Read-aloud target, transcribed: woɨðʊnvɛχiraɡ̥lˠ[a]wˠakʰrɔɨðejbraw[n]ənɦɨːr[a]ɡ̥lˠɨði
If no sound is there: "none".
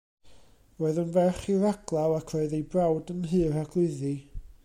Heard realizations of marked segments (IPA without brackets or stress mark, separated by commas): a, d, a